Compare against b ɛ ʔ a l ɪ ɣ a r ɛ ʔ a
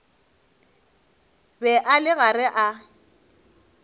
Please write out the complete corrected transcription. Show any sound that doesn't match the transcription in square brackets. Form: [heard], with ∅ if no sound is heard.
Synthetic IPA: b ɛ ʔ a l ɪ ɣ a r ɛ ʔ a